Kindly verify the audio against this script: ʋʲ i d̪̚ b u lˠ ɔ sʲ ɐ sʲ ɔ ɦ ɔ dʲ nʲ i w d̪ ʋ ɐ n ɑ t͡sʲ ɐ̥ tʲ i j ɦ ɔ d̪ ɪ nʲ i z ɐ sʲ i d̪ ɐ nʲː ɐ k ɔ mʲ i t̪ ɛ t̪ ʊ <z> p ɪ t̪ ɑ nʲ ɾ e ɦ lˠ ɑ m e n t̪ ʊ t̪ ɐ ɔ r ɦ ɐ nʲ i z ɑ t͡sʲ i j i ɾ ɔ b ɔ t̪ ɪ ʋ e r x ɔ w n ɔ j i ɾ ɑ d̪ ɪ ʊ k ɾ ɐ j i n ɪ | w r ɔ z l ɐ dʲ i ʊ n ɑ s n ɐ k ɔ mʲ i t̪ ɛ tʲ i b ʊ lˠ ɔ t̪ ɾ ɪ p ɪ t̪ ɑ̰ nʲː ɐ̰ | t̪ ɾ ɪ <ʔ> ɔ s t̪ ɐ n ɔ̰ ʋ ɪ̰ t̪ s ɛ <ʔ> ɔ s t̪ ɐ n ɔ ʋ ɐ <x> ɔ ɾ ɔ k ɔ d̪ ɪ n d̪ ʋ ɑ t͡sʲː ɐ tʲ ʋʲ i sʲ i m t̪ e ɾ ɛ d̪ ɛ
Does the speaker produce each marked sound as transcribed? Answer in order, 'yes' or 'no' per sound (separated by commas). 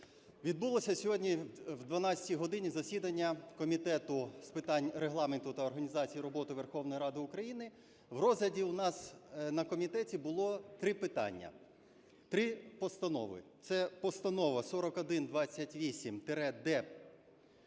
no, no, no, no